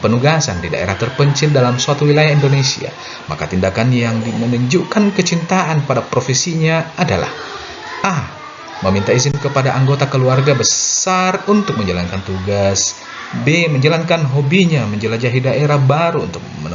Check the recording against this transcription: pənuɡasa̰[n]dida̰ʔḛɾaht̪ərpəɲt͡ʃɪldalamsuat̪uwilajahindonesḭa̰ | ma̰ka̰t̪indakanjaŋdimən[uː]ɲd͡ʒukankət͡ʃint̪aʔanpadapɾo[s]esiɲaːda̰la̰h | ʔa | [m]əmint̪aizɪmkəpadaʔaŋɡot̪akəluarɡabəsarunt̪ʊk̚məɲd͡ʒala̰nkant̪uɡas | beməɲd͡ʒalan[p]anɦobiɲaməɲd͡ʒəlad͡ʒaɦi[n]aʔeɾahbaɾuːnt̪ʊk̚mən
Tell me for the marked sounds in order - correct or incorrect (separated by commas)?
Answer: correct, incorrect, incorrect, correct, incorrect, incorrect